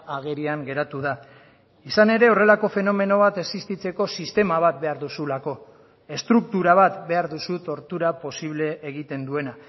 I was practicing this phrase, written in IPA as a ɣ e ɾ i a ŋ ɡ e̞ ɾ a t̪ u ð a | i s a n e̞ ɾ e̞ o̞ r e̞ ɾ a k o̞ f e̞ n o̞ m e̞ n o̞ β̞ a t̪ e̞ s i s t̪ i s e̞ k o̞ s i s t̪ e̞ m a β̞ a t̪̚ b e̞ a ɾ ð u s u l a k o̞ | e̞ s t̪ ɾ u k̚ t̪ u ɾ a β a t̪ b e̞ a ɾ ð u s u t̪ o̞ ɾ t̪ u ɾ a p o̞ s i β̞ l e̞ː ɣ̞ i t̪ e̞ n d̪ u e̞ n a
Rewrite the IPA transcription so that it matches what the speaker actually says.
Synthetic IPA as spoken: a ɣ e ɾ i a ŋ ɡ e̞ ɾ a t̪ u ð a | i s a n e̞ ɾ e̞ o̞ r e̞ l a k o̞ f e̞ n o̞ m e̞ n o̞ β̞ a t̪ e̞ s i s t̪ i t͡s e̞ k o̞ s i s t̪ e̞ m a β̞ a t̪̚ b e̞ a ɾ ð u s u l a k o̞ | e̞ s t̪ ɾ u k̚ t̪ u ɾ a β a t̪ b e̞ a ɾ ð u s u t̪ o̞ ɾ t̪ u ɾ a p o̞ s i β̞ l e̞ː ɣ̞ i t̪ e̞ n d̪ u e̞ n a